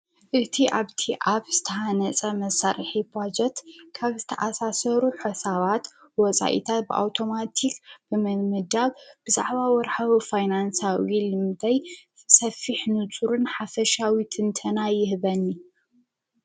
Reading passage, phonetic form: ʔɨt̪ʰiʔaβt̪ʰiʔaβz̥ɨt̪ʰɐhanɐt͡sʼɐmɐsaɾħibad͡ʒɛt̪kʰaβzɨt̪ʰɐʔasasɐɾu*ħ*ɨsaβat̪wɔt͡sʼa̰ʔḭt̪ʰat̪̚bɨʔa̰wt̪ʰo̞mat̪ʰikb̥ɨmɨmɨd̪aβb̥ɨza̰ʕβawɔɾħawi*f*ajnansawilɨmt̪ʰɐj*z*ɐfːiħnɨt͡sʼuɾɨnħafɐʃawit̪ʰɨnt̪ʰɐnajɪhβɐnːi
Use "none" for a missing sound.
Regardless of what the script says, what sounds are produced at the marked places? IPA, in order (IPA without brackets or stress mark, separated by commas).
ħ, f, s